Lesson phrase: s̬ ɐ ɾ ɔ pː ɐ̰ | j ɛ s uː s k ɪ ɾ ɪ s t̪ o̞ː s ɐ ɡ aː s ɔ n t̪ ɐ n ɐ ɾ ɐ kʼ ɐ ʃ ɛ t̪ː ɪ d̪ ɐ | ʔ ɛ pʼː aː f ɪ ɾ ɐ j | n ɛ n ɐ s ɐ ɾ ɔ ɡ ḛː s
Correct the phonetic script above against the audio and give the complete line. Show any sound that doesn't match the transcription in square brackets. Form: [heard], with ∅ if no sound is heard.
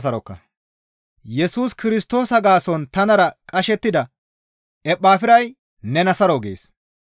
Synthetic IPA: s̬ ɐ ɾ ɔ [kː] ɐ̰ | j ɛ s uː s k ɪ ɾ ɪ s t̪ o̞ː s ɐ ɡ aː s ɔ n t̪ ɐ n ɐ ɾ ɐ kʼ ɐ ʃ ɛ t̪ː ɪ d̪ ɐ | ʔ ɛ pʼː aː f ɪ ɾ ɐ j | n ɛ n ɐ s ɐ ɾ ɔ ɡ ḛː s

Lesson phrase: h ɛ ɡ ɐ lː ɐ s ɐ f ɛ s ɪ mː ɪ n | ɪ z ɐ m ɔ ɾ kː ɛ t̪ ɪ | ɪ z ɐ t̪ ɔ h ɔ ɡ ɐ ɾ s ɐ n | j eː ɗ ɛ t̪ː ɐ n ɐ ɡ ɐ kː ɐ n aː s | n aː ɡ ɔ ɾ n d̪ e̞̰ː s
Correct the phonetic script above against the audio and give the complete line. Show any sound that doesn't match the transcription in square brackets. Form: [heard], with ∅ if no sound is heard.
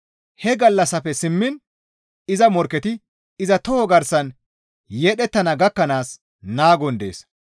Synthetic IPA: h ɛ ɡ ɐ lː ɐ s ɐ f ɛ s ɪ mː ɪ n | ɪ z ɐ m ɔ ɾ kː ɛ t̪ ɪ | ɪ z ɐ t̪ ɔ h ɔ ɡ ɐ ɾ s ɐ n | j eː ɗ ɛ t̪ː ɐ n ɐ ɡ ɐ kː ɐ n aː s | n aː ɡ ɔ [∅] n d̪ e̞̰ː s

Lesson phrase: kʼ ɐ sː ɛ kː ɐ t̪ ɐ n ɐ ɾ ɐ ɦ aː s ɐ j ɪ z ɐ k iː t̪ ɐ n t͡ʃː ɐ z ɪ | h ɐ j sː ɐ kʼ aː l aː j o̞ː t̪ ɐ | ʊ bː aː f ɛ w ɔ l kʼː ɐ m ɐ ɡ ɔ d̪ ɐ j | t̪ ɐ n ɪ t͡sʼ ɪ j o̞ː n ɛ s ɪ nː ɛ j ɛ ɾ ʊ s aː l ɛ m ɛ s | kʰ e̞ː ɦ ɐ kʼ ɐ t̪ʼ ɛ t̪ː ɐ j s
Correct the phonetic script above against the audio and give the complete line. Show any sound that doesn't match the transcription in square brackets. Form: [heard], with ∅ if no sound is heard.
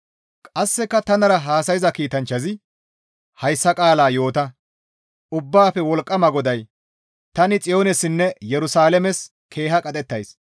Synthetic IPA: kʼ ɐ sː ɛ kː ɐ t̪ ɐ n ɐ ɾ ɐ ɦ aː s ɐ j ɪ z ɐ k iː t̪ ɐ n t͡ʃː ɐ z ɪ | h ɐ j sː ɐ kʼ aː l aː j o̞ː t̪ ɐ | ʊ bː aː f ɛ w ɔ l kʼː ɐ m ɐ ɡ ɔ d̪ ɐ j | t̪ ɐ n ɪ t͡sʼ ɪ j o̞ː n ɛ s ɪ nː ɛ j ɛ ɾ ʊ s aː l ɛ m ɛ s | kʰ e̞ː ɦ ɐ kʼ ɐ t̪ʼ ɛ t̪ː ɐ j s

